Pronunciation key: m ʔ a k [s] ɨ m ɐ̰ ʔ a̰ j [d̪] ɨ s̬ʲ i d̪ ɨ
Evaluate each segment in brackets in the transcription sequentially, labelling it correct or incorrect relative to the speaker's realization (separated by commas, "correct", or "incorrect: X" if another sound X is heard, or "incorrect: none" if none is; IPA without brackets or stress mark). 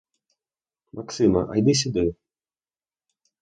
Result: correct, correct